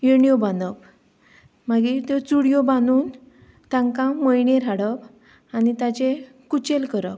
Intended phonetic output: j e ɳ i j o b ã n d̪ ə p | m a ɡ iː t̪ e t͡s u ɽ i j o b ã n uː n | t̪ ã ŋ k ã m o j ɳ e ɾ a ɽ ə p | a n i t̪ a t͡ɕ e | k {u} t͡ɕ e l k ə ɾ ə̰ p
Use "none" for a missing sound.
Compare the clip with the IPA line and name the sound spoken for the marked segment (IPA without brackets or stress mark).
u